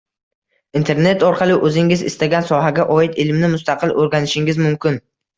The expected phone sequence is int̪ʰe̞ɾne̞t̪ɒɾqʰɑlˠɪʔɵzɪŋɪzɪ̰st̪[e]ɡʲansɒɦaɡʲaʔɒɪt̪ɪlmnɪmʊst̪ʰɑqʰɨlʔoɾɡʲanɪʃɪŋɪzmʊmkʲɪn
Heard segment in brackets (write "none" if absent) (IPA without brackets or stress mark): a